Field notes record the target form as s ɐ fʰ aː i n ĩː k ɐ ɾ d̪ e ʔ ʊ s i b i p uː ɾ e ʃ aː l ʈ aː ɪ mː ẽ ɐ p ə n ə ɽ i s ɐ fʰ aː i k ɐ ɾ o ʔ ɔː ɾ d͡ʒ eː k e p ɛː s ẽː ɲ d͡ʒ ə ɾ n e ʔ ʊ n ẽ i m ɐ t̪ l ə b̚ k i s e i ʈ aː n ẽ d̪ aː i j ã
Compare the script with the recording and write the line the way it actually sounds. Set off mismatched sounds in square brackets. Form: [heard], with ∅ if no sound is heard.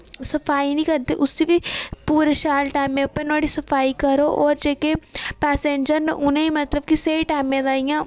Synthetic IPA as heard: s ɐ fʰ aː i n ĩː k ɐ ɾ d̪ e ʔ ʊ s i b i p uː ɾ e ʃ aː l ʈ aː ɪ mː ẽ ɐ p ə n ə ɽ i s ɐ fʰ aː i k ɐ ɾ o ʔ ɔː ɾ d͡ʒ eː k e p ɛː s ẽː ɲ d͡ʒ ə ɾ n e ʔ ʊ n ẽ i m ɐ t̪ l ə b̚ k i s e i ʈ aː [m] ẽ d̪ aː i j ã